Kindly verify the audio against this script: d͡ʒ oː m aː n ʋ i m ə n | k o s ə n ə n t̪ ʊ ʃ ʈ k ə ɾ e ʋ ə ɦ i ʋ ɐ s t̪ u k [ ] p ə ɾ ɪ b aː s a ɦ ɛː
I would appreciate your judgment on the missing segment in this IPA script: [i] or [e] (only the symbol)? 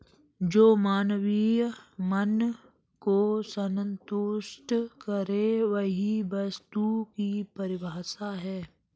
i